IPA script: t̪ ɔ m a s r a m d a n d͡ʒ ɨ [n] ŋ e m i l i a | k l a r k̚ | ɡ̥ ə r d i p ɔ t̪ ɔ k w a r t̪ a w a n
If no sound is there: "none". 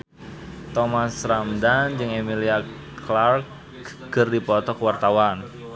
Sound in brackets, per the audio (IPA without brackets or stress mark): none